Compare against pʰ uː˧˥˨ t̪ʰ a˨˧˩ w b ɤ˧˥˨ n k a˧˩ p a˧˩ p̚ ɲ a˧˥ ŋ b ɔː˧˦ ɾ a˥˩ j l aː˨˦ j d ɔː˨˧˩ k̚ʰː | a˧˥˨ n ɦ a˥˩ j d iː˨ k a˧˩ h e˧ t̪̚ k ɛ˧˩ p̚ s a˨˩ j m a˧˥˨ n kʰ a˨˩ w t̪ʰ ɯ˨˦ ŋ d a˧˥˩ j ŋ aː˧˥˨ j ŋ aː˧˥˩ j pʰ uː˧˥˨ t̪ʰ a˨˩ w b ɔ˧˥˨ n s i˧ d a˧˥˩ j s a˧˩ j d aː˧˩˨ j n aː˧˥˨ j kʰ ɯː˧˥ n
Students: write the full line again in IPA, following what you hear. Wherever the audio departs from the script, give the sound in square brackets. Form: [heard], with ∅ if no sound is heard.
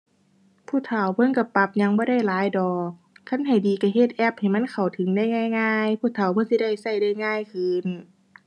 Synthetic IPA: pʰ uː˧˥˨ t̪ʰ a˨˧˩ w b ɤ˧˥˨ n k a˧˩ p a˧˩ p̚ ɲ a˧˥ ŋ b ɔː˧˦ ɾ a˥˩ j l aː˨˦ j d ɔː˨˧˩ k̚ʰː | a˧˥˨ n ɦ [a˨˩] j d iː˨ k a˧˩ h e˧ t̪̚ [ʔ] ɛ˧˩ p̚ [h] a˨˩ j m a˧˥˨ n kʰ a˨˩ w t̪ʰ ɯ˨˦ ŋ d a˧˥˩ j ŋ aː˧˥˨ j ŋ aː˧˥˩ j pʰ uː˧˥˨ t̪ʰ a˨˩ w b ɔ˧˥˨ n s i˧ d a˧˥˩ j s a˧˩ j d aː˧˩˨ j [ŋ] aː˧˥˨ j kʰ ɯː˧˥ n